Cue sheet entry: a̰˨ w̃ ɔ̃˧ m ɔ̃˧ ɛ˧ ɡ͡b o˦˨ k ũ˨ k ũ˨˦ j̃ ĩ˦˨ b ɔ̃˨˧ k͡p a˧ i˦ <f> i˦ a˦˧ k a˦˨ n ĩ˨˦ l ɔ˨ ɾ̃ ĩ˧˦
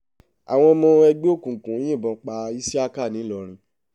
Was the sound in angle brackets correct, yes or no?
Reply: no